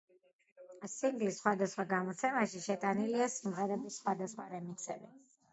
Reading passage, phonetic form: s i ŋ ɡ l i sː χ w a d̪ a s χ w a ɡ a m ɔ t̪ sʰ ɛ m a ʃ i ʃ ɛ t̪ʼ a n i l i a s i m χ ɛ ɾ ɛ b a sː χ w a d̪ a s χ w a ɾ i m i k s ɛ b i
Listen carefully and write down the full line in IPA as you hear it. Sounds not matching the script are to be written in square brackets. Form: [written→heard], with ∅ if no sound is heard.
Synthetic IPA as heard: s i ŋ ɡ l i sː χ w a d̪ a s χ w a ɡ a m ɔ t̪ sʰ ɛ m a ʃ i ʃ ɛ t̪ʼ a n i l i a s i m [χ→ʁ] ɛ ɾ ɛ b [a→i] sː χ w a d̪ a s χ w a ɾ [i→ɛ] m i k s ɛ b i